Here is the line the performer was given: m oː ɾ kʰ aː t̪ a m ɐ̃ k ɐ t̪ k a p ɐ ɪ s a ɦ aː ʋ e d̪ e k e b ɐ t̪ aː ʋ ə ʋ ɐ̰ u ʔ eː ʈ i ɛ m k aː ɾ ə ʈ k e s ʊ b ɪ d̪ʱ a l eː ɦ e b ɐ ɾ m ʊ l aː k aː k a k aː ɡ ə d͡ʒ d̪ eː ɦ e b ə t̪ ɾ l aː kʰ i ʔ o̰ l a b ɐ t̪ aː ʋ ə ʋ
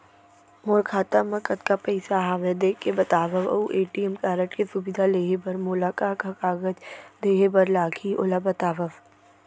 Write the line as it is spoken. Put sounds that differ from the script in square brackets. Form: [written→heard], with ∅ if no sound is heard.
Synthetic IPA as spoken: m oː ɾ kʰ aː t̪ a m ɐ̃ k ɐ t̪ k a p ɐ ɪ s a ɦ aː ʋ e d̪ e k e b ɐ t̪ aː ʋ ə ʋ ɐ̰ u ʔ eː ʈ i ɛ m k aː ɾ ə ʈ k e s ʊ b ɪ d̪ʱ a l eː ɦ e b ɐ ɾ m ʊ l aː k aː k a k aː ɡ ə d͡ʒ d̪ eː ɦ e b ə [t̪→∅] ɾ l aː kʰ i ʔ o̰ l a b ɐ t̪ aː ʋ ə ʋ